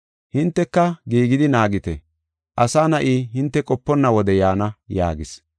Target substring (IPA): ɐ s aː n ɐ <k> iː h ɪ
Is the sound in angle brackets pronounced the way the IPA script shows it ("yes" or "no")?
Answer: no